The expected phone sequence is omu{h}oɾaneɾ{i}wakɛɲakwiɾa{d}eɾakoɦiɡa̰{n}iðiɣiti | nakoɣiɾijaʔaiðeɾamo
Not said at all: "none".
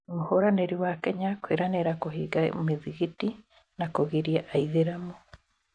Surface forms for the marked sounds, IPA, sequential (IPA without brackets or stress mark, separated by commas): h, i, n, m